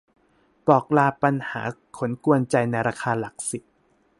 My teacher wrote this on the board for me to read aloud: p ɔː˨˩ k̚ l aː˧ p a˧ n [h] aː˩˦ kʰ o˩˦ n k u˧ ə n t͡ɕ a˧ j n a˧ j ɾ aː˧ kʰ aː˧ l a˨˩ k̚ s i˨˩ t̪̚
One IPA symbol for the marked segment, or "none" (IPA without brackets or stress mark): h